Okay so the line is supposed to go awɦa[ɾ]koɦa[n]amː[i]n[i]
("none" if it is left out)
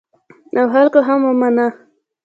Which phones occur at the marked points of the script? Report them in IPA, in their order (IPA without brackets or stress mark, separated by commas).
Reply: l, m, a, a